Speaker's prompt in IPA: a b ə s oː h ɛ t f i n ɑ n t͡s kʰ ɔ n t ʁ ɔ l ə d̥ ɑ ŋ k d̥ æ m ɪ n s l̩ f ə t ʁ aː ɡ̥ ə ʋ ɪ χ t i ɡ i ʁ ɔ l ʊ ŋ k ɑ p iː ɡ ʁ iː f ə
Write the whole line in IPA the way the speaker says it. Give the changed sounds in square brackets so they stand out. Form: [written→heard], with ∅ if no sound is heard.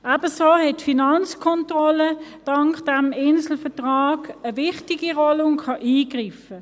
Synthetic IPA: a b ə s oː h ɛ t f i n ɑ n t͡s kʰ ɔ n t ʁ ɔ l ə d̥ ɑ ŋ k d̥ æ m ɪ n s l̩ f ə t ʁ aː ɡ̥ ə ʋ ɪ χ t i ɡ i ʁ ɔ l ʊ ŋ [k→kʰ] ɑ [p→ʔ] iː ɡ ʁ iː f ə

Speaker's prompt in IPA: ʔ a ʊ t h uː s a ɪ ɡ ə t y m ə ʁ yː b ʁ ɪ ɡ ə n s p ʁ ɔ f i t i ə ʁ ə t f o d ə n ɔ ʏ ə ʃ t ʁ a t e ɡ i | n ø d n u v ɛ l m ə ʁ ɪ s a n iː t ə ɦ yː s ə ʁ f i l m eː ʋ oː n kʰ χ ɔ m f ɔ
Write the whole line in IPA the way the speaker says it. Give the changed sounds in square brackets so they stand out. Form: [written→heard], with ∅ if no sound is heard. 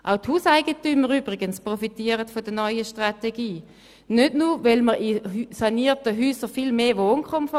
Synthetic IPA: ʔ a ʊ t h uː s a ɪ ɡ ə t y m ə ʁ yː b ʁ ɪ ɡ ə n s p ʁ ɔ f i t i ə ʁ ə t f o d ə n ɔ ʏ ə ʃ t ʁ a t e ɡ [i→iː] | n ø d n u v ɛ l m ə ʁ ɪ s a n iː t ə ɦ yː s ə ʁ f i l m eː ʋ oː n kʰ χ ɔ m f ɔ

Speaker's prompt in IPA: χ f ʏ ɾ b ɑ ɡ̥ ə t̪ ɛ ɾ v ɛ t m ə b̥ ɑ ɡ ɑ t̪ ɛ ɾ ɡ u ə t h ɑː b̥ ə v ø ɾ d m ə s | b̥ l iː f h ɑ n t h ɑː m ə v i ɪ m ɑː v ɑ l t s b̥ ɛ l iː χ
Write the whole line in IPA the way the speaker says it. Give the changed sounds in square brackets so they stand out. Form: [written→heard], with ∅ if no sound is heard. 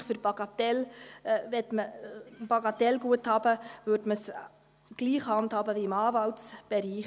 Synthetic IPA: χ f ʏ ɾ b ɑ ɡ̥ [ə→ɑ] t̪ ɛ [ɾ→l] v ɛ t m ə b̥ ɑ ɡ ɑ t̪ ɛ [ɾ→l] ɡ u ə t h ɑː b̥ ə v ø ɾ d m ə s | [b̥→ɡ̥] l iː [f→χ] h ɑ n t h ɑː [m→b] ə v i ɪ m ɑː v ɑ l t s b̥ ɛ [l→ɾ] iː χ

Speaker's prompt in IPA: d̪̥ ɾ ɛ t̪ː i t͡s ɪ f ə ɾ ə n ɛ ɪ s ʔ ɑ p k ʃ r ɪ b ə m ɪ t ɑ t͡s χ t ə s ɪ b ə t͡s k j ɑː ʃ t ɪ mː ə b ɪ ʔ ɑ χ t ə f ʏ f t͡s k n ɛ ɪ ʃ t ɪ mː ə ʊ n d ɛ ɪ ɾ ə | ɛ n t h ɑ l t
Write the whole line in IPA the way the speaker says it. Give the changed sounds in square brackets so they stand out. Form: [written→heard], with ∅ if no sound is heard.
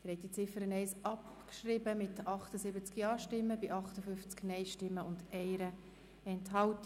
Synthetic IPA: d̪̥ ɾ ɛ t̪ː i t͡s ɪ f ə ɾ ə n ɛ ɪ s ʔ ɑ p k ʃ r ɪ b ə m ɪ t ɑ [t͡s→∅] χ t ə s ɪ b ə t͡s k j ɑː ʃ t ɪ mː ə b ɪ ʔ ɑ χ t ə f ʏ f t͡s k n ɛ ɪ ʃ t ɪ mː ə ʊ n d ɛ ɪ ɾ ə | ɛ n t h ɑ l t

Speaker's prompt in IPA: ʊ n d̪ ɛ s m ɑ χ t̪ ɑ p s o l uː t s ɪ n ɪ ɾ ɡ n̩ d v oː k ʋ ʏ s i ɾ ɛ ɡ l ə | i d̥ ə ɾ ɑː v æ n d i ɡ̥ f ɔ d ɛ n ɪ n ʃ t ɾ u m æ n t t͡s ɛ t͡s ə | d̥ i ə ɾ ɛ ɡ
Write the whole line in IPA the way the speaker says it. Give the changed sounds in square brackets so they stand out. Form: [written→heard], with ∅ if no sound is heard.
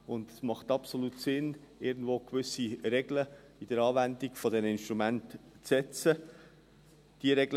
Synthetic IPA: ʊ n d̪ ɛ s m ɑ χ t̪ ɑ p s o l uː t s ɪ n ɪ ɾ ɡ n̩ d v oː k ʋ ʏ s i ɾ ɛ ɡ l ə | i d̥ ə ɾ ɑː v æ n d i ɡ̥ f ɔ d ɛ n ɪ n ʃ t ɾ u m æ n t t͡s ɛ t͡s ə | d̥ i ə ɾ ɛ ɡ

